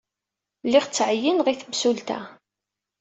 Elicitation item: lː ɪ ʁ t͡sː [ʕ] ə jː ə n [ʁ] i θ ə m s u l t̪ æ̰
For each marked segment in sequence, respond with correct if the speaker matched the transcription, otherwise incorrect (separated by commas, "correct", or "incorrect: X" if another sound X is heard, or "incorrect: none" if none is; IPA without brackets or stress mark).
correct, correct